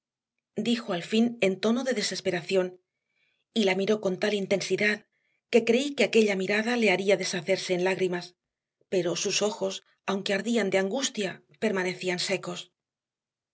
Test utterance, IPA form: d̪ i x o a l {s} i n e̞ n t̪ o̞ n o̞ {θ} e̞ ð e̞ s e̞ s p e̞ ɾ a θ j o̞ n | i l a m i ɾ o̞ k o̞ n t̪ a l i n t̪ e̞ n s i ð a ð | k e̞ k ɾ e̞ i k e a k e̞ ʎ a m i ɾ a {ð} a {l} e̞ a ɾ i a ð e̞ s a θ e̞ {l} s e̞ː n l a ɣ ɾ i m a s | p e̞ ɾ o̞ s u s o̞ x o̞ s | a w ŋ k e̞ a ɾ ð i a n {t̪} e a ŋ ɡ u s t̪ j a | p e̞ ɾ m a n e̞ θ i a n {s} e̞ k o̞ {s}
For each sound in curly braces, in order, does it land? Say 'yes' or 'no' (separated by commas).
no, no, yes, yes, no, no, yes, yes